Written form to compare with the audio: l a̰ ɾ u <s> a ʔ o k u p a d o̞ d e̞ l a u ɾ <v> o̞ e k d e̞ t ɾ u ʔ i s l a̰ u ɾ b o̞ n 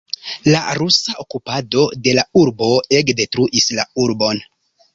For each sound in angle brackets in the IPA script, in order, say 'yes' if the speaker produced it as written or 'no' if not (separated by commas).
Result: yes, no